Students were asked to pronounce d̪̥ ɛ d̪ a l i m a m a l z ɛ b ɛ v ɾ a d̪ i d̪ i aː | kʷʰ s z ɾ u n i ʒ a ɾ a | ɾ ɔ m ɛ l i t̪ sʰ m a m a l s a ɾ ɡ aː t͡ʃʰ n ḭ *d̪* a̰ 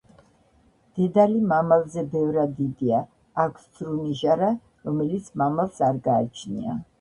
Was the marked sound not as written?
yes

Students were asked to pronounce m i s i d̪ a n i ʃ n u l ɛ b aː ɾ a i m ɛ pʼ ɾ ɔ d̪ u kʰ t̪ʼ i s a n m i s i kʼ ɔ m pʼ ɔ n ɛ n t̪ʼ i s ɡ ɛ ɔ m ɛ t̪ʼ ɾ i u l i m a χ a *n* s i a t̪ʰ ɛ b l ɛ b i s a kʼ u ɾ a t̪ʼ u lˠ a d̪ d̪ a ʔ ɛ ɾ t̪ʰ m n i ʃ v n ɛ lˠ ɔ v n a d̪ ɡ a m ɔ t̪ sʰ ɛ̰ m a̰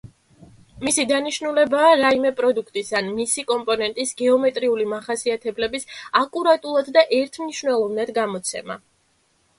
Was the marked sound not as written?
yes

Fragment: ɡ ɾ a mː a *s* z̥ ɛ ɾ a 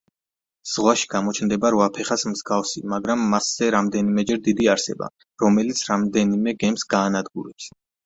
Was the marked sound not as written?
no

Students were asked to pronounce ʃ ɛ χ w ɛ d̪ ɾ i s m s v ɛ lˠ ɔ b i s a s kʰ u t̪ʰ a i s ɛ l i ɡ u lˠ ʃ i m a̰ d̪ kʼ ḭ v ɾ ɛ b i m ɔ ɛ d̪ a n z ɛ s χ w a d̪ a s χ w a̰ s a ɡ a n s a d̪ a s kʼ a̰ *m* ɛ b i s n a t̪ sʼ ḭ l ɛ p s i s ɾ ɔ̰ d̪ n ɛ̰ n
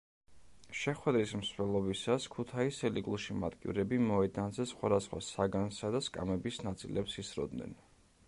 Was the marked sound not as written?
no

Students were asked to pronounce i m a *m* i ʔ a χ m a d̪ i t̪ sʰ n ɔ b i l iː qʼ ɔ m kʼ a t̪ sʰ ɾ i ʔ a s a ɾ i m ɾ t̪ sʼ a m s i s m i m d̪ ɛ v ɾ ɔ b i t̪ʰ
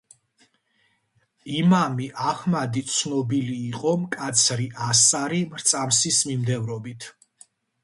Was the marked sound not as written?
no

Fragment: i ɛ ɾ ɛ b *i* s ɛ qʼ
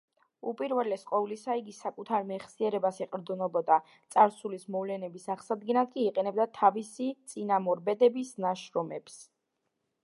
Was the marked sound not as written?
yes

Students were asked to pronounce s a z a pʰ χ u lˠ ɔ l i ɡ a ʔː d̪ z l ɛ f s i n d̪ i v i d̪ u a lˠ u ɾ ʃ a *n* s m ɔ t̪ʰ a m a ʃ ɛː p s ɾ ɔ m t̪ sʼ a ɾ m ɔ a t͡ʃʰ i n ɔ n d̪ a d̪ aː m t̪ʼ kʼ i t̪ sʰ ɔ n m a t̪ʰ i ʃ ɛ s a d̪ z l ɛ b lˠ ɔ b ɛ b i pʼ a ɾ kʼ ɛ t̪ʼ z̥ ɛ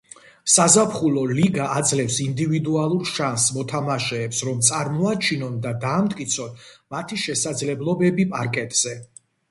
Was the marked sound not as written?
no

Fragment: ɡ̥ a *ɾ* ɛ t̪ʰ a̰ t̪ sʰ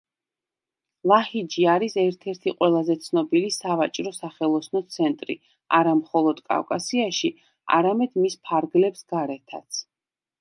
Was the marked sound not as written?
no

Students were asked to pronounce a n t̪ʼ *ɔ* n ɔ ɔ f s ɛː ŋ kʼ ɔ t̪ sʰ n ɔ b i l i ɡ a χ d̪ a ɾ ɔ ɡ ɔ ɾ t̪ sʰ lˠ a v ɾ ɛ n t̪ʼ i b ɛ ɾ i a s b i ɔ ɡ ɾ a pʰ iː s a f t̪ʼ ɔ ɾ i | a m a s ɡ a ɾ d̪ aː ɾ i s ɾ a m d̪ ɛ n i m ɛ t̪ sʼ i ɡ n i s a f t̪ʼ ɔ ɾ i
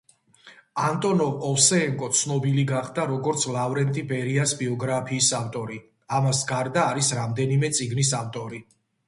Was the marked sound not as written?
no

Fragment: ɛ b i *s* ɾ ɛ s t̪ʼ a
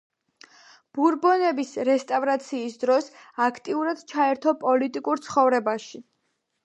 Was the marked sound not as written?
no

